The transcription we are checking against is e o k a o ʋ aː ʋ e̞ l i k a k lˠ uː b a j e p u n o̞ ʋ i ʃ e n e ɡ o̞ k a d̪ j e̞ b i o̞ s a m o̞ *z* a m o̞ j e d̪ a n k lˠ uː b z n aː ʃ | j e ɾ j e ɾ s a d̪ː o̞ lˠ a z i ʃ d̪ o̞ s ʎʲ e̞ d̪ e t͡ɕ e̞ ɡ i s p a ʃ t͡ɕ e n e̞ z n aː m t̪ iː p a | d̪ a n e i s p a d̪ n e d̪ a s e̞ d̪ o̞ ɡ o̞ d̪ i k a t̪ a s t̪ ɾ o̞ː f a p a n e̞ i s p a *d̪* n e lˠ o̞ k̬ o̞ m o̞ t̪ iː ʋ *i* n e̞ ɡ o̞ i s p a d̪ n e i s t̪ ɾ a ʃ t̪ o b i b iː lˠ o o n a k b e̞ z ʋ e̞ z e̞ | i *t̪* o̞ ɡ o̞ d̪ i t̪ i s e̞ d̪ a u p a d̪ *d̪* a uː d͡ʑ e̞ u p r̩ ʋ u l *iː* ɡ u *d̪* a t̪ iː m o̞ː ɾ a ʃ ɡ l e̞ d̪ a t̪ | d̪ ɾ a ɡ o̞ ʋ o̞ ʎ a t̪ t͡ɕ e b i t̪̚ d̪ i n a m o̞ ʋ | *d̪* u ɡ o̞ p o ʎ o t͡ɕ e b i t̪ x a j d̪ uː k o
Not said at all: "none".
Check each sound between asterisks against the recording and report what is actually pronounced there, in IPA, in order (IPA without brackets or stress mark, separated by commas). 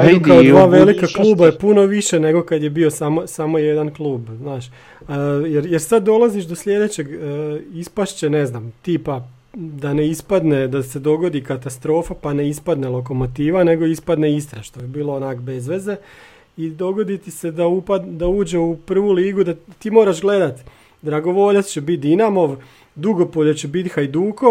s, d̪, a, d̪, d̪, iː, d̪, d̪